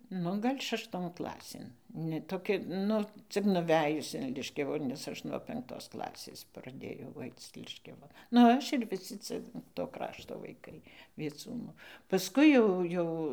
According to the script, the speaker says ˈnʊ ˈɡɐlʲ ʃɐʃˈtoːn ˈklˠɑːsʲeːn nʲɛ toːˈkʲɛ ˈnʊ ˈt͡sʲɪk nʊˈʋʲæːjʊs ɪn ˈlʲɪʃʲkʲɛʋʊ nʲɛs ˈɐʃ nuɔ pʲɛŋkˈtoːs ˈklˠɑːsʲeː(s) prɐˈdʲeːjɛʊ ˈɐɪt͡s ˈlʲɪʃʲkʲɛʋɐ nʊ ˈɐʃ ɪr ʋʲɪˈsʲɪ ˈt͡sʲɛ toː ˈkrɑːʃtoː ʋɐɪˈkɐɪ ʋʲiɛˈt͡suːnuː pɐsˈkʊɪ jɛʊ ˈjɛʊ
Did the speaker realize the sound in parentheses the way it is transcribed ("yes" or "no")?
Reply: yes